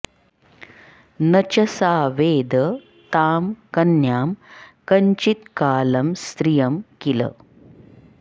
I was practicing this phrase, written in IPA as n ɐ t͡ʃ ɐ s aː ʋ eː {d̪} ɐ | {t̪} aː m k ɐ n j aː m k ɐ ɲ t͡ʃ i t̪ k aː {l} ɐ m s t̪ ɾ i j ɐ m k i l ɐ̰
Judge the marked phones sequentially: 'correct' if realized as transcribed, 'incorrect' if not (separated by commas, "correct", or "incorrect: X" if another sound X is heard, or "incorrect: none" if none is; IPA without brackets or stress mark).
correct, correct, correct